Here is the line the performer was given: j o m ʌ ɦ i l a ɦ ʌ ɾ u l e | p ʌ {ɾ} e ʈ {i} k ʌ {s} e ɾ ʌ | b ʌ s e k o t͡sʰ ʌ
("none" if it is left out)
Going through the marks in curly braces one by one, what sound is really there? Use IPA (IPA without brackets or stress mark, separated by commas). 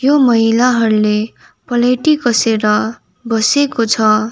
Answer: l, i, s